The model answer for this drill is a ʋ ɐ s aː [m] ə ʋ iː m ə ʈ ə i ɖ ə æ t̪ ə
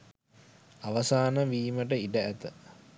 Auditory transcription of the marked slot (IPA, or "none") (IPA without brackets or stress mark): n